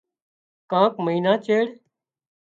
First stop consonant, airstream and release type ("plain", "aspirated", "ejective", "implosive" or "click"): plain